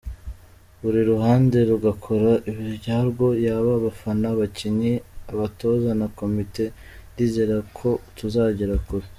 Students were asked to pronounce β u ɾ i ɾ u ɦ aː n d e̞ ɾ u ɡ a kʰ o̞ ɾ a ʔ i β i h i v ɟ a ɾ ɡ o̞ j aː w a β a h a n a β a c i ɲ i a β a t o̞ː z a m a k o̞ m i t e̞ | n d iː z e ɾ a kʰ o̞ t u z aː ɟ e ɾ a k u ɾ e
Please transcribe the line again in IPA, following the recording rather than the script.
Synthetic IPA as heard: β u ɾ i ɾ u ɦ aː n d e̞ ɾ u ɡ a kʰ o̞ ɾ a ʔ i β i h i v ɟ a ɾ ɡ o̞ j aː β a β a f a n a β a c i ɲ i a β a t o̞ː z a n a k o̞ m i t e̞ | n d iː z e ɾ a kʰ o̞ t u z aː ɟ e ɾ a k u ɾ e